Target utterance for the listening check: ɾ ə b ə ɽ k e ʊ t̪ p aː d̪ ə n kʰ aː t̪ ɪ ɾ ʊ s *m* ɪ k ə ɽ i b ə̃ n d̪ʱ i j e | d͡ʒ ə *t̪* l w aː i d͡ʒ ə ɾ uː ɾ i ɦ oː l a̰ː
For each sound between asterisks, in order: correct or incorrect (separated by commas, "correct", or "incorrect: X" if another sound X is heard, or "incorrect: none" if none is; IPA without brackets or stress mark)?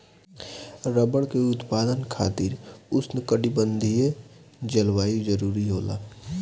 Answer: incorrect: n, incorrect: none